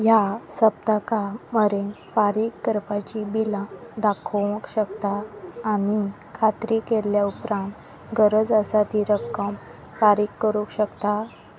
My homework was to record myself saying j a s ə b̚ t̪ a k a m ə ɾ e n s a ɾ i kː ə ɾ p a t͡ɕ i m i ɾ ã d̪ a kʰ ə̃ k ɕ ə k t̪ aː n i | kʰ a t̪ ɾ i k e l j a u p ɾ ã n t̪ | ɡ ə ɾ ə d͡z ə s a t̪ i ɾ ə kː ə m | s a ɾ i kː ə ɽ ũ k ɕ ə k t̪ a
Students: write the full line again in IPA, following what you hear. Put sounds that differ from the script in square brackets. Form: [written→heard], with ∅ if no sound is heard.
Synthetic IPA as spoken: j a s ə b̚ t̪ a k a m ə ɾ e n [s→f] a ɾ i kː ə ɾ p a t͡ɕ i [m→b] i [ɾ→l] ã d̪ a kʰ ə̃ k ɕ ə k t̪ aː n i | kʰ a t̪ ɾ i k e l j a u p ɾ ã n t̪ | ɡ ə ɾ ə d͡z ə s a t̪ i ɾ ə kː ə m | [s→f] a ɾ i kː ə [ɽ→ɾ] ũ k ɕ ə k t̪ a